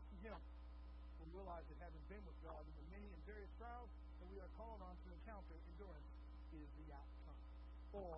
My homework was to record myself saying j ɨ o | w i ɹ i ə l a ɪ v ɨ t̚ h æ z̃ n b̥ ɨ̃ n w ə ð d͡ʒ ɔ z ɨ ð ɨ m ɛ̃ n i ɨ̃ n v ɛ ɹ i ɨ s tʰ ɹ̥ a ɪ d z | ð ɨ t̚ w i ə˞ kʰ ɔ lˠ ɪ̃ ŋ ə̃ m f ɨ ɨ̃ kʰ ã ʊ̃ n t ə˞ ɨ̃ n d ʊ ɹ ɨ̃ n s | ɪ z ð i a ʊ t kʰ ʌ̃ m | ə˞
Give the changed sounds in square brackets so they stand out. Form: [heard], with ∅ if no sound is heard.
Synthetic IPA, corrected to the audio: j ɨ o | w i ɹ i ə l a ɪ [z] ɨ t̚ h æ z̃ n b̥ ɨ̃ n w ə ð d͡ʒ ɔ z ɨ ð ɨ m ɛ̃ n i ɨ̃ n v ɛ ɹ i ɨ s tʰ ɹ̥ a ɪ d z | ð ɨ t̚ w i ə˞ kʰ ɔ lˠ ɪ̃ ŋ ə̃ [n] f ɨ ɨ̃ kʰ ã ʊ̃ n t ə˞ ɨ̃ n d ʊ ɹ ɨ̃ n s | ɪ z ð i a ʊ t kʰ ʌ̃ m | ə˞